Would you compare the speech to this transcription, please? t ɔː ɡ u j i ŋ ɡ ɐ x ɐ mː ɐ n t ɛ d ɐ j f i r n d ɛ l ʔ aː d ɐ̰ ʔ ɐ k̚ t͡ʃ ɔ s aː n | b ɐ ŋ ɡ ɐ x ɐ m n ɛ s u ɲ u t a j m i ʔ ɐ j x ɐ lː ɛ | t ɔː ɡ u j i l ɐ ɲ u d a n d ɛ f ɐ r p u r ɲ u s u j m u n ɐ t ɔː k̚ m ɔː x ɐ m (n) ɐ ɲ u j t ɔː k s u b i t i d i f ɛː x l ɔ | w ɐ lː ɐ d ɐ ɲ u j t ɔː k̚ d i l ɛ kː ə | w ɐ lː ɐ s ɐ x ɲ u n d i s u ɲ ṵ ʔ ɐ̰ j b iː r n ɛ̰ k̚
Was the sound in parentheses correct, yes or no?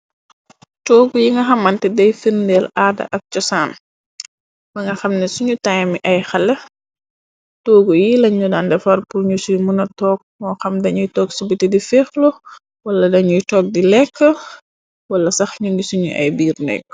no